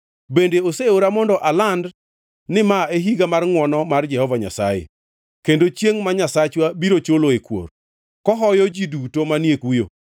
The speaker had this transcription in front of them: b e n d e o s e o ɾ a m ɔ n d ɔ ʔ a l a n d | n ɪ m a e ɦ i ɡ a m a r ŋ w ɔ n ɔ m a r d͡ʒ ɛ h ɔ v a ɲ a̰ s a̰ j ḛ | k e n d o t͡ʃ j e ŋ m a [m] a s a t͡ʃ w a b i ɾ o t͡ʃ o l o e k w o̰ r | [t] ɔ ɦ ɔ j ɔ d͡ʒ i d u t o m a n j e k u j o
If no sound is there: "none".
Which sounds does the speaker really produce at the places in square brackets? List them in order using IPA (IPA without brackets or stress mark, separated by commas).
ɲ, k